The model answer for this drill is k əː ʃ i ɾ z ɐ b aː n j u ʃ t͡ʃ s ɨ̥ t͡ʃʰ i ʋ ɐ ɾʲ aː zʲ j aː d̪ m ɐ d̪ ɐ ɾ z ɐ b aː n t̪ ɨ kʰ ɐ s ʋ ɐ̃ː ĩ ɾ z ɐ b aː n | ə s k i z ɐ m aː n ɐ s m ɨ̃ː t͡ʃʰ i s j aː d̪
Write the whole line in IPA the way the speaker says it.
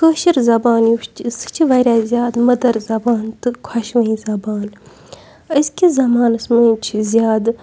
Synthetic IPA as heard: k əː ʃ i ɾ z ɐ b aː n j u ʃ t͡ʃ s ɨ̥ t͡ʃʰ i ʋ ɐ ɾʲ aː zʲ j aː d̪ m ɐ d̪ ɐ ɾ z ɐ b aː n t̪ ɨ kʰ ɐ ʃ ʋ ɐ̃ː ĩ z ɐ b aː n | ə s k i z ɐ m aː n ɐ s m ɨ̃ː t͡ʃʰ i z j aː d̪